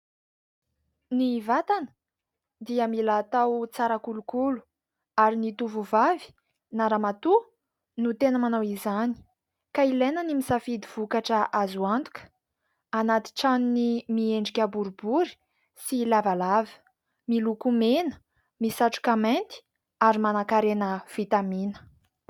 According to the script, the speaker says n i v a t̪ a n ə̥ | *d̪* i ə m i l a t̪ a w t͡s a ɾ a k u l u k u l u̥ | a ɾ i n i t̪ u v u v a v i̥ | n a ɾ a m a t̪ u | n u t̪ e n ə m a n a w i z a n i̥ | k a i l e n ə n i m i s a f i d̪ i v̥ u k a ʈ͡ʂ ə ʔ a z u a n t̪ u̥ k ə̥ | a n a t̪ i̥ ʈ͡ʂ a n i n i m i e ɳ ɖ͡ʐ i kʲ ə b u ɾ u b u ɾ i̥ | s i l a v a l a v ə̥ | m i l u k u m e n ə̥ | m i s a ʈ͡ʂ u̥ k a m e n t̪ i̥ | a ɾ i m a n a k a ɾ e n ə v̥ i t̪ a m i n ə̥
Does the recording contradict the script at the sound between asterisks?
no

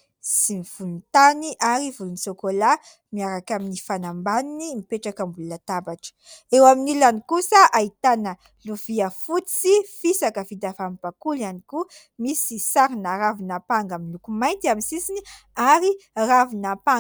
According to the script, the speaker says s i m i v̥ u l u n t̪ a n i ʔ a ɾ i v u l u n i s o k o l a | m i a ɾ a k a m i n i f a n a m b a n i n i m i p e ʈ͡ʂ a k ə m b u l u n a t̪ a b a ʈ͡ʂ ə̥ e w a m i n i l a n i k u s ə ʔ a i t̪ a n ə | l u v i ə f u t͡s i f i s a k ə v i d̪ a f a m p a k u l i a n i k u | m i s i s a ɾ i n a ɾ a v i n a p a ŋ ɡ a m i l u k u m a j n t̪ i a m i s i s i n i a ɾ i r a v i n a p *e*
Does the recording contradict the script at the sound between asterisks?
yes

